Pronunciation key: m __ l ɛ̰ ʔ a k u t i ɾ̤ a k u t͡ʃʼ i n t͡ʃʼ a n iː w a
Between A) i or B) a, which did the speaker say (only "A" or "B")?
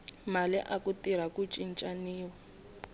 B